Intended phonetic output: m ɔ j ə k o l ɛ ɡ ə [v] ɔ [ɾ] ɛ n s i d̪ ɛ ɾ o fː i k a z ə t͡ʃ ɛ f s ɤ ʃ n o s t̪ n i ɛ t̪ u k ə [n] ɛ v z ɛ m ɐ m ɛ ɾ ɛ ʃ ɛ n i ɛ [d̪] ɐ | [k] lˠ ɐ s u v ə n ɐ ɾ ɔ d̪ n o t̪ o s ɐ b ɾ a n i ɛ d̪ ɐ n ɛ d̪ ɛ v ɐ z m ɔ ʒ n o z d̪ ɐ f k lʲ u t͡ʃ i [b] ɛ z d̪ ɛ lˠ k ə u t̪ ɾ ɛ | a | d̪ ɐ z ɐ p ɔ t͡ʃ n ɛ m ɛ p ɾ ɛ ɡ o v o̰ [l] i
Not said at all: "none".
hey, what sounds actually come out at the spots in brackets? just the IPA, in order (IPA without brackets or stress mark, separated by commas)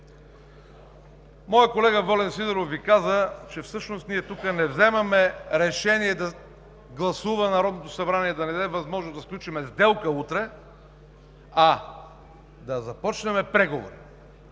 v, l, n, d̪, ɡ, m, ɾ